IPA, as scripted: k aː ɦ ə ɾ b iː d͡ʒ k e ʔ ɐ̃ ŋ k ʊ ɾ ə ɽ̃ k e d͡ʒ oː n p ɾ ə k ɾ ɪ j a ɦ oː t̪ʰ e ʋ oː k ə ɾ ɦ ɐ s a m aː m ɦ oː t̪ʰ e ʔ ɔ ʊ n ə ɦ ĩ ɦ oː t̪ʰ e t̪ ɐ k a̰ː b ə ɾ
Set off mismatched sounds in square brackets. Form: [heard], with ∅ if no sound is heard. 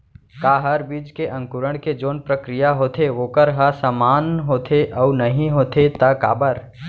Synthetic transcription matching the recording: k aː ɦ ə ɾ b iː d͡ʒ k e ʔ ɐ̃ ŋ k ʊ ɾ ə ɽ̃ k e d͡ʒ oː n p ɾ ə k ɾ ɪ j a ɦ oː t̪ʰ e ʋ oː k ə ɾ ɦ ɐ s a m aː [n] ɦ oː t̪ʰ e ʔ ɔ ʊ n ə ɦ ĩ ɦ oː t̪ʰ e t̪ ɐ k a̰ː b ə ɾ